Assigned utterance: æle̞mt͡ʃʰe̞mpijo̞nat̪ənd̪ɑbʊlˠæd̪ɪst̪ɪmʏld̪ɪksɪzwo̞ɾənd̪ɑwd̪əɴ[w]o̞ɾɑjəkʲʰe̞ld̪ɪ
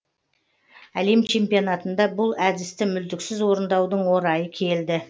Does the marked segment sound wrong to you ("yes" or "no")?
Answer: no